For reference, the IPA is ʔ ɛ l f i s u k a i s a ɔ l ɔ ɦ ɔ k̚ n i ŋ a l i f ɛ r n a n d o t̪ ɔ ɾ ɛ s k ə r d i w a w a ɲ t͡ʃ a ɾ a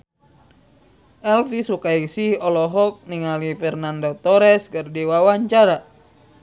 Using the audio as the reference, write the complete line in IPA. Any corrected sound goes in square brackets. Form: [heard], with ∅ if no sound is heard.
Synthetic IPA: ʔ ɛ l f i s u k a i s [i] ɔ l ɔ ɦ ɔ k̚ n i ŋ a l i f ɛ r n a n d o t̪ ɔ ɾ ɛ s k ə r d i w a w a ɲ t͡ʃ a ɾ a